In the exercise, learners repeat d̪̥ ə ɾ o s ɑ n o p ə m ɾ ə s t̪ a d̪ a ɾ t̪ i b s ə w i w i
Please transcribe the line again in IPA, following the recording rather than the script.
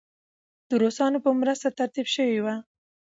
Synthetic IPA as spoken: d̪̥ ə ɾ o s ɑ n o p ə m ɾ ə s t̪ a t̪ a ɾ t̪ i b ʃ ə w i w a